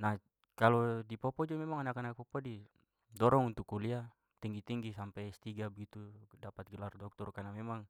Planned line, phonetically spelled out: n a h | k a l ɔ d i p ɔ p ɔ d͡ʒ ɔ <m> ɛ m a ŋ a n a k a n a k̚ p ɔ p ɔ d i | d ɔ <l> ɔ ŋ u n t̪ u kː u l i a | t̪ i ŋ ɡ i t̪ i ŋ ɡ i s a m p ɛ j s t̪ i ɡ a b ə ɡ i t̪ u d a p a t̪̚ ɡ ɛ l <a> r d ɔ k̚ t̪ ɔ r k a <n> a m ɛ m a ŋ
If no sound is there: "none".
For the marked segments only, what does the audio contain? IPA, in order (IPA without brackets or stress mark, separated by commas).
m, ɾ, a, n